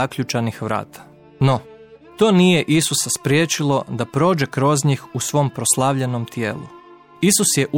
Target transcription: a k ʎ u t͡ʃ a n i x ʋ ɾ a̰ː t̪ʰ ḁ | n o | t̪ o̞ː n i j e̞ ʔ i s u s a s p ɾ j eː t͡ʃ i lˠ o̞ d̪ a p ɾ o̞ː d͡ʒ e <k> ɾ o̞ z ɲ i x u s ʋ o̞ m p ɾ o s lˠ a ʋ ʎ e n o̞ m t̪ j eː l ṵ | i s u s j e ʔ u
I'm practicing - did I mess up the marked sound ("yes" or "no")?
no